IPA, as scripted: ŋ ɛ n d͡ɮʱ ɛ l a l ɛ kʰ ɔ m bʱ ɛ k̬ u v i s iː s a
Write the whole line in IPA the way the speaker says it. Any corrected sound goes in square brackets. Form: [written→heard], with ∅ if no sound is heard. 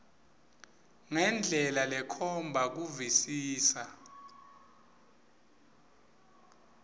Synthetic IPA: ŋ ɛ n d͡ɮʱ ɛ l a l ɛ kʰ ɔ m bʱ [ɛ→a] k̬ u v i s iː s a